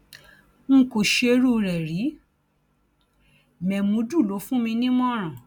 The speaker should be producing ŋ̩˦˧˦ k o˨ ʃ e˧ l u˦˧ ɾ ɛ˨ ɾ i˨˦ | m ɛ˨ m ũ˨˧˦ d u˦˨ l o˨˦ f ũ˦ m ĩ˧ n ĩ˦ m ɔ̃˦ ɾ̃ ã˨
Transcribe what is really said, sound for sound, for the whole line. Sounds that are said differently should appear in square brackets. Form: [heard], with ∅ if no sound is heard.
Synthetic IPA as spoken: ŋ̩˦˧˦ k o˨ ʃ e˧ [ɾ] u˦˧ ɾ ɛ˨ ɾ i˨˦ | m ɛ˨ m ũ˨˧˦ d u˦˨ l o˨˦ f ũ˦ m ĩ˧ n ĩ˦ m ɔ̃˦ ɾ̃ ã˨